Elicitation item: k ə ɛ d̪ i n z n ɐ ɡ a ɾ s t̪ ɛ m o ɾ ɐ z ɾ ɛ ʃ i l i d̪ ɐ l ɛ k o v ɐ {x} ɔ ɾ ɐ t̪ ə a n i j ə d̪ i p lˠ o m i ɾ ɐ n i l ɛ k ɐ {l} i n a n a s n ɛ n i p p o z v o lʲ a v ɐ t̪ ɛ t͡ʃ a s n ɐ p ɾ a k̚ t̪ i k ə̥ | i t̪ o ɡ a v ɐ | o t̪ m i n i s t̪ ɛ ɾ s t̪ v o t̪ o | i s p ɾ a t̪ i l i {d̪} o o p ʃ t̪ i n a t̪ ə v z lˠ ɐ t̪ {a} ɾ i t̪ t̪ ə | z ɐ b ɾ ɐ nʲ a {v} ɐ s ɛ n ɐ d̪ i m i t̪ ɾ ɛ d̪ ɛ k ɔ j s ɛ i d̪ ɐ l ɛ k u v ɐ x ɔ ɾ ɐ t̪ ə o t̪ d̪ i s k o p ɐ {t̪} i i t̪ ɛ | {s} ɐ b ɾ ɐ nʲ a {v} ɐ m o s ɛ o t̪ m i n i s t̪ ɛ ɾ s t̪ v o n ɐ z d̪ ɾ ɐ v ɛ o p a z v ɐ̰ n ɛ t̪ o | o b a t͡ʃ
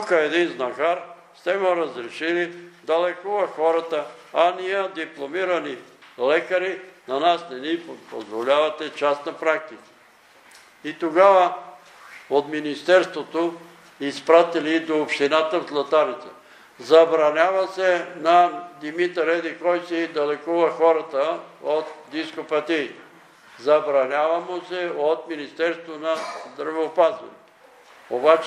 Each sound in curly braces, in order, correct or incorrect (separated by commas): correct, incorrect, correct, correct, correct, correct, incorrect, correct